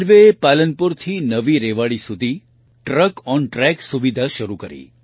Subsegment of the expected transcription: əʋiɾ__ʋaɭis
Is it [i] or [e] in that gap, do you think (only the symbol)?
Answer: e